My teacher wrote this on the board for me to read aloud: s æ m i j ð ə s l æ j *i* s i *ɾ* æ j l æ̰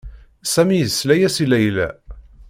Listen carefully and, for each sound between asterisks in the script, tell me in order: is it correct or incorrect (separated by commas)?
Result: incorrect, incorrect